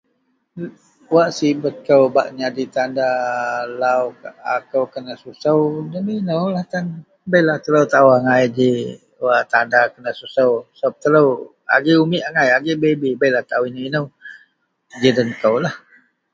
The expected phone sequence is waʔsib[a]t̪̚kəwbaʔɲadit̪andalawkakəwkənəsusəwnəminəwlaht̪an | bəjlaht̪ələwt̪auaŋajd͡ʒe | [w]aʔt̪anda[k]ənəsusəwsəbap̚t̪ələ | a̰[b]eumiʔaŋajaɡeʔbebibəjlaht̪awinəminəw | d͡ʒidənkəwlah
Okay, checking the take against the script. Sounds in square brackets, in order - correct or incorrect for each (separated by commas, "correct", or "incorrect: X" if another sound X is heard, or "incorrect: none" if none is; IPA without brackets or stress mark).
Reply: incorrect: ə, correct, correct, incorrect: ɡ